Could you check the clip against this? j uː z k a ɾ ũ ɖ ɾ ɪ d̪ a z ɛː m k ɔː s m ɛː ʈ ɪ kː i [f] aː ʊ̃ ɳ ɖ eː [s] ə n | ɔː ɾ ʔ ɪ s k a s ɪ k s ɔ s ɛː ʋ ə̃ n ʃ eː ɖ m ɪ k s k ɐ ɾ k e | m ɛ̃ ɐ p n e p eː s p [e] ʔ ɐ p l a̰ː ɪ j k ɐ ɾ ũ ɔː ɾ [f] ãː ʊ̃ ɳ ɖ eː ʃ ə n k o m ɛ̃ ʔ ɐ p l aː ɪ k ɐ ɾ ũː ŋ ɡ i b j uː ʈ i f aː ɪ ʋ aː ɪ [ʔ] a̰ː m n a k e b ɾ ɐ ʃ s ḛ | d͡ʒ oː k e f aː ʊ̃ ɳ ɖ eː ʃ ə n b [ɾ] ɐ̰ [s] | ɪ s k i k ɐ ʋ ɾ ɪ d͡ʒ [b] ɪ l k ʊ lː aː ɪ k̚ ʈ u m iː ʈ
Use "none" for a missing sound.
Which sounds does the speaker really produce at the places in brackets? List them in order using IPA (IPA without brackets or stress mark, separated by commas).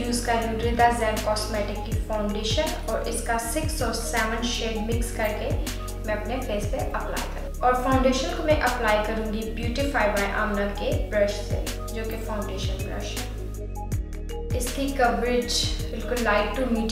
f, ʃ, e, f, ʔ, ɾ, ʃ, b